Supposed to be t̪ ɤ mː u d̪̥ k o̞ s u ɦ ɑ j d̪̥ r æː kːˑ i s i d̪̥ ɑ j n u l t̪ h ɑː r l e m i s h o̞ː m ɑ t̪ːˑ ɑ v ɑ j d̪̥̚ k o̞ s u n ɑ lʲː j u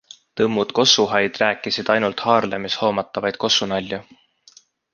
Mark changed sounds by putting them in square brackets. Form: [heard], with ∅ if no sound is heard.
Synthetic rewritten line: t̪ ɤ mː u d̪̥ k o̞ s u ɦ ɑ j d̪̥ r æː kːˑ i s i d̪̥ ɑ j n u l t̪ h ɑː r l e m i s h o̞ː m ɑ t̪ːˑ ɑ v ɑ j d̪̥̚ k o̞ s u n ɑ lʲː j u